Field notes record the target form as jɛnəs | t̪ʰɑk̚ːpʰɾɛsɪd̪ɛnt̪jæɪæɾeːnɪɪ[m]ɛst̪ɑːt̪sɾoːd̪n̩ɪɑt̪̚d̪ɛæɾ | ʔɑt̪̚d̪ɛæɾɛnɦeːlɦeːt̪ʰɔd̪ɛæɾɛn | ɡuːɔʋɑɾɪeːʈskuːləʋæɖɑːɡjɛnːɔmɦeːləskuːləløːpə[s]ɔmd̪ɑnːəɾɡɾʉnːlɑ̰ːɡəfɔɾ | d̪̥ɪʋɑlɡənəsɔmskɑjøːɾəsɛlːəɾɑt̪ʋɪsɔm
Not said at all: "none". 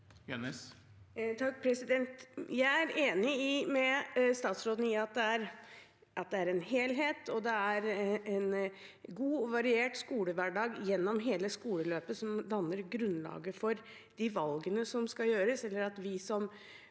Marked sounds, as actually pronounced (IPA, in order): m, s

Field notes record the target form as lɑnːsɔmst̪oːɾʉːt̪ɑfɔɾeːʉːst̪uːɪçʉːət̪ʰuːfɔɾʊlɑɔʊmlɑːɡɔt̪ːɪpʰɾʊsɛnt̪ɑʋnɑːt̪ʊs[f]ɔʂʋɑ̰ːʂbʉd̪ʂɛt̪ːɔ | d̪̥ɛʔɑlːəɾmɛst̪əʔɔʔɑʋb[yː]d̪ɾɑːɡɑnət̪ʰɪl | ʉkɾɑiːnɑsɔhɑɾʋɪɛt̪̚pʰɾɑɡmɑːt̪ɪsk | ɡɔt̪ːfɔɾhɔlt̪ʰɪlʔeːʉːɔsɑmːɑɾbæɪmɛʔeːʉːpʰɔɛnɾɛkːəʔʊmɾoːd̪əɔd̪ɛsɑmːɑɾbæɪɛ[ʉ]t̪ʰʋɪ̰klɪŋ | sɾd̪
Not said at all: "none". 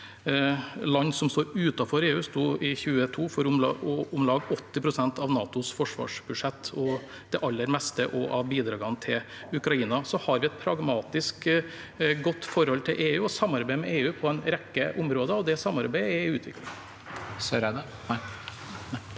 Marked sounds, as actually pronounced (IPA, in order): f, iː, ʉː

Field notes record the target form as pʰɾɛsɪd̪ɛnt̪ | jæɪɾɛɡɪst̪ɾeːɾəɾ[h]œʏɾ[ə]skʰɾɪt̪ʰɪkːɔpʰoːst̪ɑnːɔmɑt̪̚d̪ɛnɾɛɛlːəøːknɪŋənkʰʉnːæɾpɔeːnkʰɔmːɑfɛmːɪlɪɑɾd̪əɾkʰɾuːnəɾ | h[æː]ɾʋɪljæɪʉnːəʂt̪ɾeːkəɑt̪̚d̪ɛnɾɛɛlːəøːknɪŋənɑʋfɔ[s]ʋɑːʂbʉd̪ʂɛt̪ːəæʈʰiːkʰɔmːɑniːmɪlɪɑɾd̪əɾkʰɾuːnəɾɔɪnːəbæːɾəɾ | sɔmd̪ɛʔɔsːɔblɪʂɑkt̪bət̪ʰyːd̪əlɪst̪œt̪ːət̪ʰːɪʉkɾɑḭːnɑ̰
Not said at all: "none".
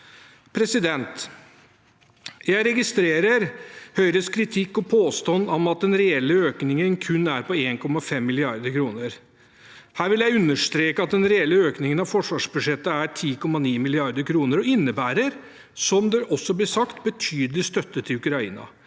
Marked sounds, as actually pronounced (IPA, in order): h, ə, æː, ʂ

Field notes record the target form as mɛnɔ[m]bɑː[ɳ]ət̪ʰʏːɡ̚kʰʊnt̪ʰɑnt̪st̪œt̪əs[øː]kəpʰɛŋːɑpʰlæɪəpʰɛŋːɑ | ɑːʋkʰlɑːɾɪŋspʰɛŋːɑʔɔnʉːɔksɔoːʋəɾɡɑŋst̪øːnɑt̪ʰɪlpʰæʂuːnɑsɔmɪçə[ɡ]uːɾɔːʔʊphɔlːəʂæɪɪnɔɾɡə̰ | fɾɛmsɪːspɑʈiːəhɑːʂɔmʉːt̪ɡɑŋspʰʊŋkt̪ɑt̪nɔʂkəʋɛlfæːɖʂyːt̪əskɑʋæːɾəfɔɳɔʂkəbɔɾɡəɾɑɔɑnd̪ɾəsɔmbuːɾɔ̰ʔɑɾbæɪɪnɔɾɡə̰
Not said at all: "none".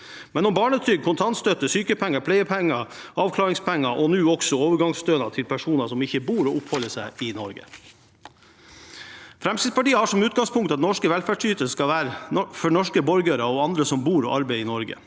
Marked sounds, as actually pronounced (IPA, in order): m, ɳ, yː, b

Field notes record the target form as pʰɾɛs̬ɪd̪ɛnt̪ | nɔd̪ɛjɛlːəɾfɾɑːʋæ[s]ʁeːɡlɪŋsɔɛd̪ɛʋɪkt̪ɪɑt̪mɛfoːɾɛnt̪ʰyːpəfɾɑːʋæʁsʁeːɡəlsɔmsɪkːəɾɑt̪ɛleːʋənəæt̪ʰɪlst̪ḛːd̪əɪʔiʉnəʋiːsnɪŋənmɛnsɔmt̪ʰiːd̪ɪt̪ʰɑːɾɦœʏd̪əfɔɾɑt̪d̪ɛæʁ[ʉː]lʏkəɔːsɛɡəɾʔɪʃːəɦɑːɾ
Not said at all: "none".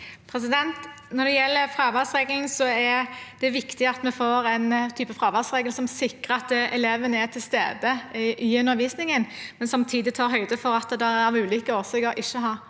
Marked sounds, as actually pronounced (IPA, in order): s, ʉː

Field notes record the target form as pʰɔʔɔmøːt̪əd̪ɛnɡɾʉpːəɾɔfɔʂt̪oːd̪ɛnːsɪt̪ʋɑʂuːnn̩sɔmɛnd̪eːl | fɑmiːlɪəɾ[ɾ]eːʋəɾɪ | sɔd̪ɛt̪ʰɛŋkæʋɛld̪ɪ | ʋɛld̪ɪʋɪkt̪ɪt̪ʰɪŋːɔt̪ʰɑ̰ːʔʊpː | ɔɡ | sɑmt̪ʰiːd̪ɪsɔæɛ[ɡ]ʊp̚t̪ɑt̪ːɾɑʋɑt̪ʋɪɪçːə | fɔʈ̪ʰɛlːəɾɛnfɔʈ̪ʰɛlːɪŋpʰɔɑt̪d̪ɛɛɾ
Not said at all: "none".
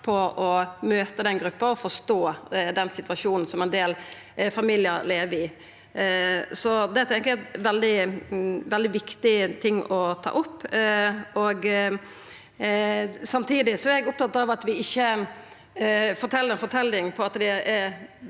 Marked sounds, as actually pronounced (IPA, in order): l, ɡ

